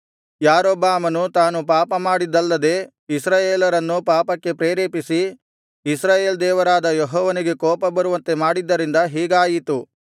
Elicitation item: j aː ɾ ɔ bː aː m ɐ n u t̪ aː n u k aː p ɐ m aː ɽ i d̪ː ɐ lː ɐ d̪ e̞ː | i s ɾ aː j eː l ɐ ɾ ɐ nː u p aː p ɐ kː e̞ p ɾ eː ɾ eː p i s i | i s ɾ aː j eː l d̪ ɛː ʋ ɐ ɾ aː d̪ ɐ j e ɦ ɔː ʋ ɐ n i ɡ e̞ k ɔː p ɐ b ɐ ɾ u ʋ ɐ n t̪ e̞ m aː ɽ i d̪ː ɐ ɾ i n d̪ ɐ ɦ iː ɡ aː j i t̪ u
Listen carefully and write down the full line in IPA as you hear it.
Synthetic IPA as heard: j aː ɾ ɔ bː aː m ɐ n u t̪ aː n u p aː p ɐ m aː ɽ i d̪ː ɐ lː ɐ d̪ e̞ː | i s ɾ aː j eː l ɐ ɾ ɐ nː u p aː p ɐ kː e̞ p ɾ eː ɾ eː p i s i | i s ɾ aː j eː l d̪ ɛː ʋ ɐ ɾ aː d̪ ɐ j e ɦ ɔː ʋ ɐ n i ɡ e̞ k ɔː p ɐ b ɐ ɾ u ʋ ɐ n t̪ e̞ m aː ɽ i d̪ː ɐ ɾ i n d̪ ɐ ɦ iː ɡ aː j i t̪ u